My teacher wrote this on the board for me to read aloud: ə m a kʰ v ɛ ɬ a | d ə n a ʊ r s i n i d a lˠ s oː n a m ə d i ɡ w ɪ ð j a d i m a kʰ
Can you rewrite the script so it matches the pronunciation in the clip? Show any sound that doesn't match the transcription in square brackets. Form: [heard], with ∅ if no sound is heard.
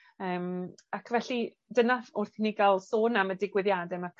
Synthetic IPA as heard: [əː] m a kʰ v ɛ ɬ [i] | d ə n a ʊ r [θ] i n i [ɡ] a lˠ s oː n a m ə d [ɪ] ɡ w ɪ ð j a d [ɛ] m a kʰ